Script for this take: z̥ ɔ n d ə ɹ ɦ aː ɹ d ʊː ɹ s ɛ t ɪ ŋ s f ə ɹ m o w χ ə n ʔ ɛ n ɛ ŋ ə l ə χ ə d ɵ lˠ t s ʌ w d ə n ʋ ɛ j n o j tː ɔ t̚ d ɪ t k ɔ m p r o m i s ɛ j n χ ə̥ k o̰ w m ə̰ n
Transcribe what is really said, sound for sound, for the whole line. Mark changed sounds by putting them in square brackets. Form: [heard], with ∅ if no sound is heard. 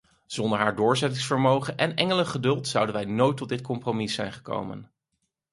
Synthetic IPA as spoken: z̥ ɔ n d ə ɹ ɦ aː ɹ d ʊː ɹ [z] ɛ t ɪ ŋ s f ə ɹ m o w χ ə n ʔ ɛ n ɛ ŋ ə l ə χ ə d ɵ lˠ t s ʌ w d ə n ʋ ɛ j n o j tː ɔ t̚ d ɪ t k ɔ m p r o m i s ɛ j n χ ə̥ k o̰ w m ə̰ n